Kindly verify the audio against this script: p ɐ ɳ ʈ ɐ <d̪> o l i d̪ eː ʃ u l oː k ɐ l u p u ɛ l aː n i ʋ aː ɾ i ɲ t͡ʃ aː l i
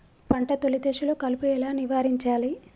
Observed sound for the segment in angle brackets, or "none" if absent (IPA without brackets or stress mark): t̪